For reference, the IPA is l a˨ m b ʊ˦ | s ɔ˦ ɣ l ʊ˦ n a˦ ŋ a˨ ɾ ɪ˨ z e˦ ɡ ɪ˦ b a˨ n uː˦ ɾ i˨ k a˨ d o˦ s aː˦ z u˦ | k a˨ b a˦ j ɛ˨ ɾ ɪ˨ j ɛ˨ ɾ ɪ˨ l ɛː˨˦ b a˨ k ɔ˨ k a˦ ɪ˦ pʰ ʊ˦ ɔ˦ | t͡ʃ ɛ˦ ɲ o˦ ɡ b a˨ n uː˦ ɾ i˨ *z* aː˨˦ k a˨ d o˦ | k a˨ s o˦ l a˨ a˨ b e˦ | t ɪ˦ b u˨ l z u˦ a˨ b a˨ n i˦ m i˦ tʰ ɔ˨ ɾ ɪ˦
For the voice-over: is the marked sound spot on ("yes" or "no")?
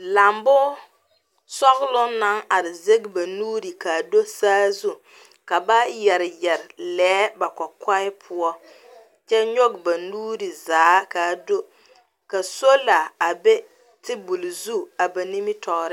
yes